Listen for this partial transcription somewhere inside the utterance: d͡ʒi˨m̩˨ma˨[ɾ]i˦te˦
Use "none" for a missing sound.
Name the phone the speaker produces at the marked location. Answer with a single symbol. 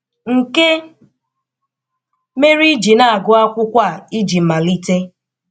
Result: l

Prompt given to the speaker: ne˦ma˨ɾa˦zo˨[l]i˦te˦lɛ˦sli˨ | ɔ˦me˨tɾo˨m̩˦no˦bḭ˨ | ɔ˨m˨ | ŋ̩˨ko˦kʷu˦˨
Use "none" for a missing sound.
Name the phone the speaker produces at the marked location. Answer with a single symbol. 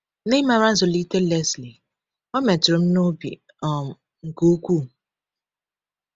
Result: l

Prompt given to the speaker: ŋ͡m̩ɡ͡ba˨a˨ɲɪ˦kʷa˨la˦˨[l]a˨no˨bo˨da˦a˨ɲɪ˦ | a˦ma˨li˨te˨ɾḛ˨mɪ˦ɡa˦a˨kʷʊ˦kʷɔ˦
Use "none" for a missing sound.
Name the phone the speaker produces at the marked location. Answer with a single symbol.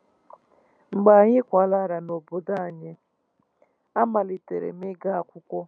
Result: ɾ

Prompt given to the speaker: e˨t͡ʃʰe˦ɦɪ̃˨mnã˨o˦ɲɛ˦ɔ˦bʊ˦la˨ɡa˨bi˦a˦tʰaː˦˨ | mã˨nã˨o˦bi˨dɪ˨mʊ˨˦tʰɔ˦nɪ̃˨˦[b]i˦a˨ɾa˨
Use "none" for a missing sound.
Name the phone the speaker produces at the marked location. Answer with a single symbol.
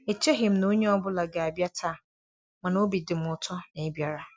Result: b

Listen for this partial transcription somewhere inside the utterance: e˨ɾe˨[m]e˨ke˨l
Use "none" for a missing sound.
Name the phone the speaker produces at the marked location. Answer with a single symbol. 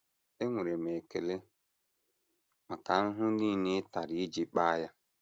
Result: m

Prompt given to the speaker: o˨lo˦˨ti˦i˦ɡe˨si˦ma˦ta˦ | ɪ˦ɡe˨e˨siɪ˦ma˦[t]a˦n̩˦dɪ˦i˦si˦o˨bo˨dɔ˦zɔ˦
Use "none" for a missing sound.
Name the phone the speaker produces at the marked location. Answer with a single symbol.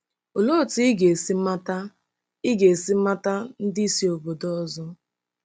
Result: t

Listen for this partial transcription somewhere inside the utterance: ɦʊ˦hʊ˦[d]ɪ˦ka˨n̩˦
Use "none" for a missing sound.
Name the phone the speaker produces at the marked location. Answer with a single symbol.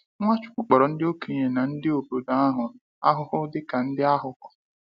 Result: d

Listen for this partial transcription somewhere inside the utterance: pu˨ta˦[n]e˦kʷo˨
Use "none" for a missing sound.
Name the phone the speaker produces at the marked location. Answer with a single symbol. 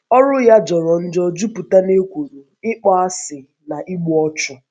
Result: n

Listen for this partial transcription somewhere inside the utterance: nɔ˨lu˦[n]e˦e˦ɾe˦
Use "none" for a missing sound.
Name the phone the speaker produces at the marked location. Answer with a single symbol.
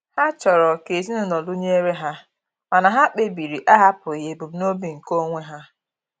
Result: ɲ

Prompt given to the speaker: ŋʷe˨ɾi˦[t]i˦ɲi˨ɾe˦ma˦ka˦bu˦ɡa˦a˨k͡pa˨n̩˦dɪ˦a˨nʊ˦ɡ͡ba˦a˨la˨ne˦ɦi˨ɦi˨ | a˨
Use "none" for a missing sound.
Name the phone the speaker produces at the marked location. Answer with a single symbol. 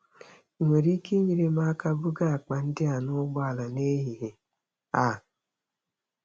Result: k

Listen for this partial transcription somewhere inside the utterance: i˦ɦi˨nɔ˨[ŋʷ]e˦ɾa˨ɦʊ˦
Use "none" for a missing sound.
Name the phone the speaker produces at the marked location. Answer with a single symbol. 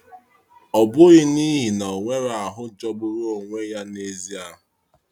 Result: ŋʷ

